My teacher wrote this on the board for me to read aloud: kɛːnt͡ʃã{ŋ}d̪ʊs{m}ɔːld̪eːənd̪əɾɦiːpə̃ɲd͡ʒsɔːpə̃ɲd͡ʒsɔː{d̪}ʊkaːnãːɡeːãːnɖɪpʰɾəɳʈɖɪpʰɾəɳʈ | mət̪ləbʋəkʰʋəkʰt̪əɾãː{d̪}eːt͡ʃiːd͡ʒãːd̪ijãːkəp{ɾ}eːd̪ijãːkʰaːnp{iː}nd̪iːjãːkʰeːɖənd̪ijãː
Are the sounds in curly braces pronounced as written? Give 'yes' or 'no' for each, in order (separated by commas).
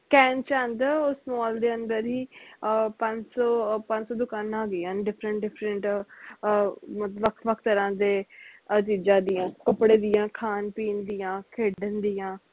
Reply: no, yes, yes, yes, no, yes